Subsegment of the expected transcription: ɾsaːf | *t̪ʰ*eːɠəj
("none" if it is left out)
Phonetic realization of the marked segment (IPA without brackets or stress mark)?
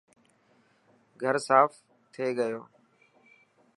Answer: t̪ʰ